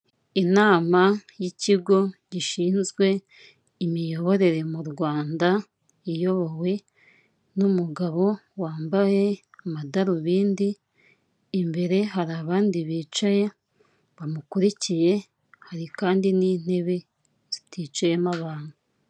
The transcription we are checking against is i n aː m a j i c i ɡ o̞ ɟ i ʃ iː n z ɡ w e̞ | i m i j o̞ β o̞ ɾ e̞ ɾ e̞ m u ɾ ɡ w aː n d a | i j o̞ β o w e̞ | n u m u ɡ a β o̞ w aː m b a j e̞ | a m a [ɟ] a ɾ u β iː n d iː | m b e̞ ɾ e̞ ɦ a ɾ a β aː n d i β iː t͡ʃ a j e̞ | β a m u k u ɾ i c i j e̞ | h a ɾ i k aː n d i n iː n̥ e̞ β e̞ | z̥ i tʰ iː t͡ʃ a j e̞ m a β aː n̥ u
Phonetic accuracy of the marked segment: incorrect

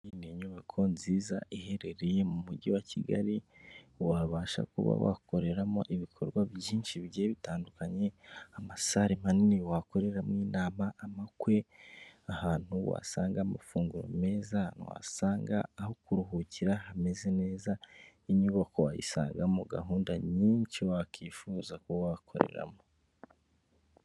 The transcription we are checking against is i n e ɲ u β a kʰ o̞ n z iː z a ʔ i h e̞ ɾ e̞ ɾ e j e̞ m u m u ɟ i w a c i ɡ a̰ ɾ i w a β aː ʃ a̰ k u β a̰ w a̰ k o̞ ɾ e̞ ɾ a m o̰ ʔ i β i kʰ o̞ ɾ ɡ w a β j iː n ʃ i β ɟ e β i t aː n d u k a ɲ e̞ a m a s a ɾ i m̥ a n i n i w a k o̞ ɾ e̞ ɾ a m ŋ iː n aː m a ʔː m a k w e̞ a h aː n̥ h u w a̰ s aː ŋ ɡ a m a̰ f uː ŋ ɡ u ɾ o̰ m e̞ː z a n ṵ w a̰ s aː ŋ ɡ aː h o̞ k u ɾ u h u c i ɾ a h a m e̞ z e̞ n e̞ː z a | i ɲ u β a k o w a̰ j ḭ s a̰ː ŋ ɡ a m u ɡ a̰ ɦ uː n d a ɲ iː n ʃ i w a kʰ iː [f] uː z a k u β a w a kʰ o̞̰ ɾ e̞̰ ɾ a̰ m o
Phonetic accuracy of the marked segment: correct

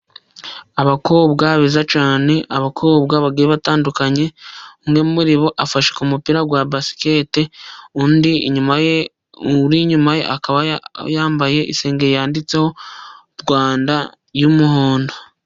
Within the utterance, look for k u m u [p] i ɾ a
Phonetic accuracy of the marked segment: correct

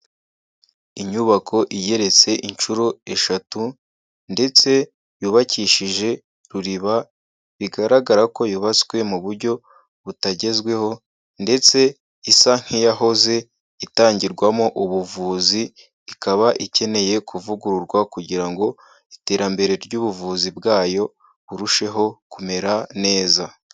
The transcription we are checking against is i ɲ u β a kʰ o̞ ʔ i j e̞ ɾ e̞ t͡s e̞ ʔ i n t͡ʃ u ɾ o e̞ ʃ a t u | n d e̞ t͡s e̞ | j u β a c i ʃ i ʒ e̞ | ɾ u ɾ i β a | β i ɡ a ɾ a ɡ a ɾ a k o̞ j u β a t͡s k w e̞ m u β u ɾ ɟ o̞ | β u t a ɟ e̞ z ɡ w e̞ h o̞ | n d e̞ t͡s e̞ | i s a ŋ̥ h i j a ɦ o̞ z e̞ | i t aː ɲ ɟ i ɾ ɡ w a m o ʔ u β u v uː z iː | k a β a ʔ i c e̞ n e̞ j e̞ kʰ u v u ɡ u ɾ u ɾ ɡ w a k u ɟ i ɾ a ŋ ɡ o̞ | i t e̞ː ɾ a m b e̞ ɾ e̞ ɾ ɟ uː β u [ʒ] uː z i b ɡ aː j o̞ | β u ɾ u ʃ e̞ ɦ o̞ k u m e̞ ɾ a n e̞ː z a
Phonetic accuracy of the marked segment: incorrect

